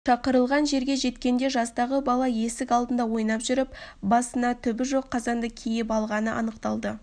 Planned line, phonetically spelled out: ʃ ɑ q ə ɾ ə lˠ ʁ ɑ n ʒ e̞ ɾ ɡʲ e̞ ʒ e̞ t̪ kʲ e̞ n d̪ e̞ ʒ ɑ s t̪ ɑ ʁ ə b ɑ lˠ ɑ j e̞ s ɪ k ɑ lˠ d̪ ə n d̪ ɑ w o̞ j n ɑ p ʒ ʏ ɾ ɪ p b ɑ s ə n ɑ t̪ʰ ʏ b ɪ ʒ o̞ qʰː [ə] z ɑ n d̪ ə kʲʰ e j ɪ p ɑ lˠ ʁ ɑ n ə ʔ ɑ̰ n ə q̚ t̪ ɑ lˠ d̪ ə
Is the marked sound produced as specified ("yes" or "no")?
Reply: no